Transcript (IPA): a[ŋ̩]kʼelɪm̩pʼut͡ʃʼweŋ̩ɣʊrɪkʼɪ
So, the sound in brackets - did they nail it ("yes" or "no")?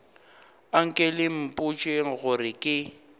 yes